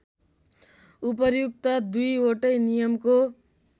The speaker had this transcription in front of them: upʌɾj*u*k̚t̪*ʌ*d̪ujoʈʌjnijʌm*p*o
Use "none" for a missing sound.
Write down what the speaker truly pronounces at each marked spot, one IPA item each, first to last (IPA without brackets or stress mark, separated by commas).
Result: u, ʌ, k